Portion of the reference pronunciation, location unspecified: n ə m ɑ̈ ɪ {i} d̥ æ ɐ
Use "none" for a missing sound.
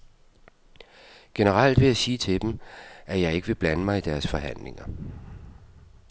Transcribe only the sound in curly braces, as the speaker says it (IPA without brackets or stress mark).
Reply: i